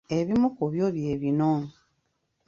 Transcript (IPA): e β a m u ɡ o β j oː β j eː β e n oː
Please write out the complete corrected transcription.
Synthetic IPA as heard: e β i m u k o β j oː β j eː β i n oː